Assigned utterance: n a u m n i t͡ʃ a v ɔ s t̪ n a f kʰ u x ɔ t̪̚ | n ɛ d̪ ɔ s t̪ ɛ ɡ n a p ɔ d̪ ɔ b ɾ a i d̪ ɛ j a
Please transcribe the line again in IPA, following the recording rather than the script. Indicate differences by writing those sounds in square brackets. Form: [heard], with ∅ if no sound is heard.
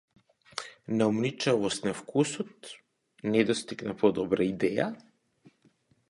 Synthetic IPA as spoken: n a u m n i t͡ʃ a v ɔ s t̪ n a f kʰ u [s] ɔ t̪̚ | n ɛ d̪ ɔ s t̪ [i] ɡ n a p ɔ d̪ ɔ b ɾ a i d̪ ɛ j a